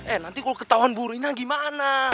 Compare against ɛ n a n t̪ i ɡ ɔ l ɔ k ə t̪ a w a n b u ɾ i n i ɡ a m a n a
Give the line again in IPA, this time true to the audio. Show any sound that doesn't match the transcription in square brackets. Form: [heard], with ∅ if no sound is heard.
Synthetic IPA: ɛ n a n t̪ i [k] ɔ l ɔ k ə t̪ a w a n b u ɾ i n [a] ɡ [i] m a n a